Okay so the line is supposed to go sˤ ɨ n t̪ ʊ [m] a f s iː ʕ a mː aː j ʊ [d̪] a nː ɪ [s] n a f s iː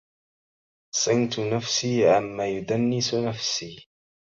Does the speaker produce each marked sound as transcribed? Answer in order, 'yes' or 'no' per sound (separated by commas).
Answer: no, yes, yes